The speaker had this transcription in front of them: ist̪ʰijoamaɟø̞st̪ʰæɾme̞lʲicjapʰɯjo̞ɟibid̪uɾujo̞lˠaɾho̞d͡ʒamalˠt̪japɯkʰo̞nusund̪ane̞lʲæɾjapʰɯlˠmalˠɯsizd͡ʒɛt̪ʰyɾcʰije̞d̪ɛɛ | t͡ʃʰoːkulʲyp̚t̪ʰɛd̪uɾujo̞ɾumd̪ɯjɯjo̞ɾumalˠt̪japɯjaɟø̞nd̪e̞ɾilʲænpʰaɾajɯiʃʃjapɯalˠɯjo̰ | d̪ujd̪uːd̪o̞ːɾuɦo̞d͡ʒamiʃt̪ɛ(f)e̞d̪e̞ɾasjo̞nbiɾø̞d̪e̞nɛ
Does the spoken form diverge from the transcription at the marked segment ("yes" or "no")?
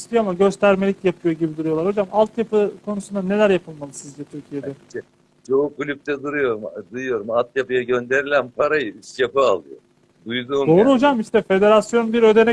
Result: no